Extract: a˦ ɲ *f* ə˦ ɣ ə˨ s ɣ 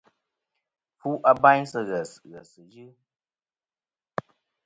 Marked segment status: incorrect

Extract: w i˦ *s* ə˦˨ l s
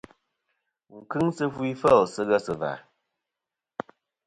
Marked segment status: incorrect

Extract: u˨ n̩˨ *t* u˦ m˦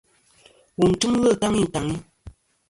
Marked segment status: correct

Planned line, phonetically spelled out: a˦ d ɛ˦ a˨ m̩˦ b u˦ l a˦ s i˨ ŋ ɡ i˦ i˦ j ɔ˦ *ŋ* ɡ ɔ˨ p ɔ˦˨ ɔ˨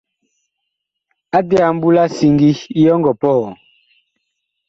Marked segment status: correct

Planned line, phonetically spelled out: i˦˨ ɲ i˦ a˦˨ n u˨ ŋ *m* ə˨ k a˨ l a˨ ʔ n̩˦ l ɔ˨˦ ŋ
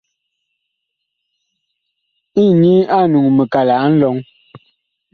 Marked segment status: correct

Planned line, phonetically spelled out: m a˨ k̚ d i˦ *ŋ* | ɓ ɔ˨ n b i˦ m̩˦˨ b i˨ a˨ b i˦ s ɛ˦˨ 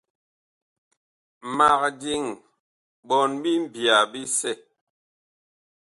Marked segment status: correct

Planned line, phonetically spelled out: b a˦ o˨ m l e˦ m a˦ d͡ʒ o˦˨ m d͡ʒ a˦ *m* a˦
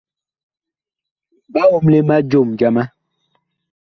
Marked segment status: correct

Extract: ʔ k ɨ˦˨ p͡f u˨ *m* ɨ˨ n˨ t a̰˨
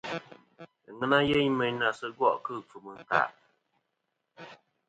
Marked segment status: correct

